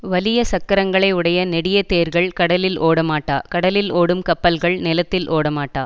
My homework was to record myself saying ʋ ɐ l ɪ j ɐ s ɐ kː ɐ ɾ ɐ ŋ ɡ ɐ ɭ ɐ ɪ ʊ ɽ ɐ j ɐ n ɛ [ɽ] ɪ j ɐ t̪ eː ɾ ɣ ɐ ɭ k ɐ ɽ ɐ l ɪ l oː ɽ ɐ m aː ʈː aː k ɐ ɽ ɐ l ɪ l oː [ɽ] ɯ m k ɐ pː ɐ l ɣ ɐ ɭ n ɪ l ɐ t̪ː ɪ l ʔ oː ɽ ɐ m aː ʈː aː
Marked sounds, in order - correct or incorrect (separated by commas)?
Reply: correct, correct